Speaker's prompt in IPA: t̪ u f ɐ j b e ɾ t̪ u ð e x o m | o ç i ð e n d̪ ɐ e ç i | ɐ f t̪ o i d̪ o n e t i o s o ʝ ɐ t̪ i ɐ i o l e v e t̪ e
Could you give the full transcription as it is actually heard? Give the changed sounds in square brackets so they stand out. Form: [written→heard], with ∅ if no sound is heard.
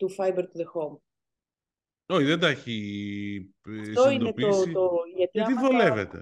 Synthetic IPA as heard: t̪ u f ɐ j b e ɾ t̪ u ð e x o m | o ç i ð e n d̪ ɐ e ç i | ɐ f t̪ o i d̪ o n e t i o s o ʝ ɐ t̪ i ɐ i o l e v e t̪ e